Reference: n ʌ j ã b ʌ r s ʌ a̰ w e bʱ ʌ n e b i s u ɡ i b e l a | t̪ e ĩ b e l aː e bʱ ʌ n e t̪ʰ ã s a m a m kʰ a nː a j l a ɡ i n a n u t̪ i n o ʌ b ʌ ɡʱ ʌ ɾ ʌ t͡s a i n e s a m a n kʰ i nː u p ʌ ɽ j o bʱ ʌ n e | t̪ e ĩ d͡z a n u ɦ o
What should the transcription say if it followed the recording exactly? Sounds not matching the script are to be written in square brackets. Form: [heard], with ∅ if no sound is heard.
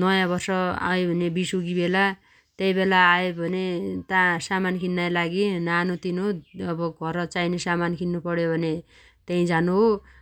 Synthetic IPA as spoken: n ʌ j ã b ʌ r s ʌ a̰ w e bʱ ʌ n e b i s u ɡ i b e l a | t̪ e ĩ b e l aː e bʱ ʌ n e [t̪] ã s a m a [n] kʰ [i] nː a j l a ɡ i n a n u t̪ i n o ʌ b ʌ ɡʱ ʌ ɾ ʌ t͡s a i n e s a m a n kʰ i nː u p ʌ ɽ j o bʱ ʌ n e | t̪ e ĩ d͡z a n u ɦ o